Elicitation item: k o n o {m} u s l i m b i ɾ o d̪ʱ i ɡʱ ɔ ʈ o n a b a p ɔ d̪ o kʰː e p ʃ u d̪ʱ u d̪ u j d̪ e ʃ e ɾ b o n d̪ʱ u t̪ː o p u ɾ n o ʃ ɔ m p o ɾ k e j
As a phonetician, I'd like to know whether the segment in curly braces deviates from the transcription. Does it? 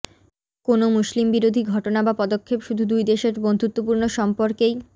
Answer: no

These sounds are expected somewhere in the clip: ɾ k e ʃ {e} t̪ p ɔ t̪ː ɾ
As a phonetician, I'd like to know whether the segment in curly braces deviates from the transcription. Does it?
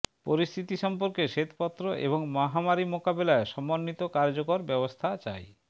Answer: no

